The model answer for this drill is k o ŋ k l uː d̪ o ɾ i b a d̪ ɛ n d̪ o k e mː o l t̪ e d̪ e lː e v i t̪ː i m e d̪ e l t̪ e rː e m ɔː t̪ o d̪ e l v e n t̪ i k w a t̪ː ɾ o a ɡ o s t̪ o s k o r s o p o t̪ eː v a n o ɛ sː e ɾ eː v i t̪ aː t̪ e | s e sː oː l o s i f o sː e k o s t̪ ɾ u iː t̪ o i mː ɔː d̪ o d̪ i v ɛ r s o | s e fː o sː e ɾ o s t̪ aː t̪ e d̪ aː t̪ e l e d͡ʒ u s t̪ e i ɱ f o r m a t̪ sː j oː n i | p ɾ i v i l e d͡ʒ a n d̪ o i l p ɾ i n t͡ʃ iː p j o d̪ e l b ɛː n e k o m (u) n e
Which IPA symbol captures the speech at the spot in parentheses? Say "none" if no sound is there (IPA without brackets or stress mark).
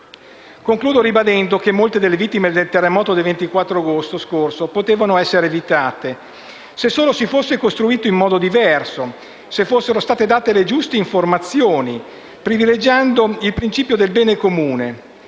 uː